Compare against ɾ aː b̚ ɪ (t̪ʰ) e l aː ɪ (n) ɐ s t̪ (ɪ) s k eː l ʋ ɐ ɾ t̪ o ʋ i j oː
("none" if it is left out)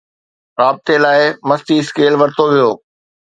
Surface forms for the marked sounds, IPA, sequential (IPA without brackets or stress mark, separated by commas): t̪, m, i